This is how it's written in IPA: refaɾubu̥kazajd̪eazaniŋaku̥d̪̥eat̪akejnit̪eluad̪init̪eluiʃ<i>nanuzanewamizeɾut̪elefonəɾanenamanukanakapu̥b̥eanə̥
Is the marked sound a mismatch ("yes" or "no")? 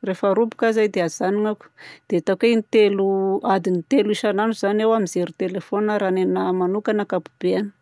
yes